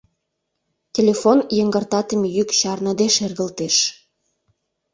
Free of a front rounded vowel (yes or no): no